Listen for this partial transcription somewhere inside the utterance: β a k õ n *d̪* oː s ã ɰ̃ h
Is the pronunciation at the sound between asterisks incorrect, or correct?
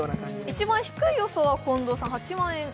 correct